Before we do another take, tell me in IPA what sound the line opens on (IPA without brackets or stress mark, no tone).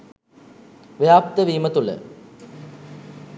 ʋ